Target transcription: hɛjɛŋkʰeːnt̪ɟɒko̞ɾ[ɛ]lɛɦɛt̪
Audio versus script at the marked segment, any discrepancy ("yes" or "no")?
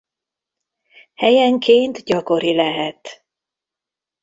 yes